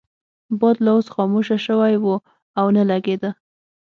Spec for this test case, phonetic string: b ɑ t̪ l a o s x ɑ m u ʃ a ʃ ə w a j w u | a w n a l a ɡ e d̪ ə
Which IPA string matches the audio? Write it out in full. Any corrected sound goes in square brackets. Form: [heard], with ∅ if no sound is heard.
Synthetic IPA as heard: b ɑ [d̪] l a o s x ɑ m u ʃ a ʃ ə w a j w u | a w n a l a ɡ e d̪ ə